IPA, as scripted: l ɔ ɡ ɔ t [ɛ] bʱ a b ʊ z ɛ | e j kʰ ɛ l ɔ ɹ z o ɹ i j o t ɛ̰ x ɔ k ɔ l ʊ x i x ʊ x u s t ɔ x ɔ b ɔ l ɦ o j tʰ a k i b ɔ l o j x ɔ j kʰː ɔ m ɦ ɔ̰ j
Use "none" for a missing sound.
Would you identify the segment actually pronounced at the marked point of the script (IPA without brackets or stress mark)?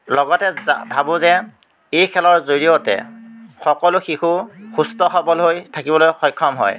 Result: ɛ